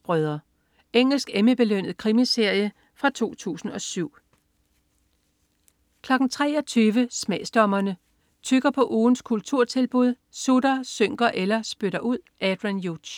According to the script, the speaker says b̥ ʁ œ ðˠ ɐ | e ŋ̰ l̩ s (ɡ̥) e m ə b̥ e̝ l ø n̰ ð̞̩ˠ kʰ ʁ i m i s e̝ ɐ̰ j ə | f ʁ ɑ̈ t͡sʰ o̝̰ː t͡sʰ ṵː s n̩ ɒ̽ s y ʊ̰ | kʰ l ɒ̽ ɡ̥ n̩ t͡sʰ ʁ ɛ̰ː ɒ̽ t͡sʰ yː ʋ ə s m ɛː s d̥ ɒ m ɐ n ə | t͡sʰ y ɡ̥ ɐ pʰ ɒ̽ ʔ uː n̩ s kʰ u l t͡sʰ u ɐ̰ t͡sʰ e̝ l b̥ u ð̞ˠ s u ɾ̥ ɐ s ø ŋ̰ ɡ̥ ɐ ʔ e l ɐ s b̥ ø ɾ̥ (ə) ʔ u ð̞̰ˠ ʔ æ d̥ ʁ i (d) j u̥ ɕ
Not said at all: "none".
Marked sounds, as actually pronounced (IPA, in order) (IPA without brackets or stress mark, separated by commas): ɡ̥, ɐ, n